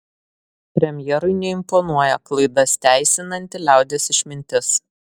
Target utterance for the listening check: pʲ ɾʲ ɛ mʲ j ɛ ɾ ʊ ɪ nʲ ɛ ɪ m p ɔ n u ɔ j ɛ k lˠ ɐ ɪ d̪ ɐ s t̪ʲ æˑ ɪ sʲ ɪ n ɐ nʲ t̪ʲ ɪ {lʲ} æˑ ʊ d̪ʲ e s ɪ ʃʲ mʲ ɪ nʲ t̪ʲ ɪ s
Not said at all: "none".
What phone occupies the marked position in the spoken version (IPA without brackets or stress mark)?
lʲ